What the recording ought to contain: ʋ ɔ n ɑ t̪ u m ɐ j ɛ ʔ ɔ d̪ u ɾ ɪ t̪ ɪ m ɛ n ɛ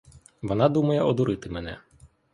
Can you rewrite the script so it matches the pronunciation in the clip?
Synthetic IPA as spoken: ʋ ɔ n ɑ d̪ u m ɐ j ɛ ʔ ɔ d̪ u ɾ ɪ t̪ ɪ m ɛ n ɛ